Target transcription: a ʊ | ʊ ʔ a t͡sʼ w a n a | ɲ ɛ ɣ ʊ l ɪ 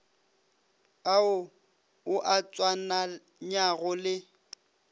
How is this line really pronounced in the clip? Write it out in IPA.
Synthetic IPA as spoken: a ʊ | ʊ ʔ a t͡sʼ w a n a | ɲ a ɣ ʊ l ɪ